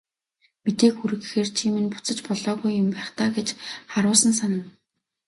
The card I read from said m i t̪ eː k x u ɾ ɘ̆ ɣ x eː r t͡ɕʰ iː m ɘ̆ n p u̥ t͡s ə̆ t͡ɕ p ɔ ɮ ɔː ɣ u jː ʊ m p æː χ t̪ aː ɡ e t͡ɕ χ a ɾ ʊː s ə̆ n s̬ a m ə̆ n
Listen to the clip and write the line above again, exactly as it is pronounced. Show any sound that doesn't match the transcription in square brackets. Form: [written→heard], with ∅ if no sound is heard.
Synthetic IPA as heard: m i t̪ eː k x u ɾ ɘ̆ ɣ x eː r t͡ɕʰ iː m ɘ̆ n p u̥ t͡s ə̆ t͡ɕ p ɔ ɮ ɔː ɣ u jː ʊ m p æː χ t̪ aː ɡ e t͡ɕ χ a ɾ ʊː s ə̆ n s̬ a [m→n] ə̆ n